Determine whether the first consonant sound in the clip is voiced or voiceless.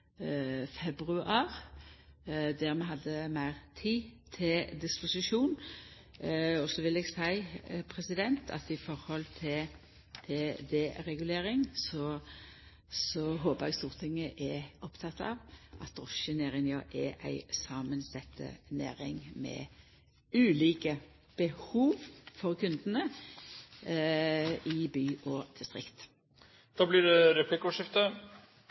voiceless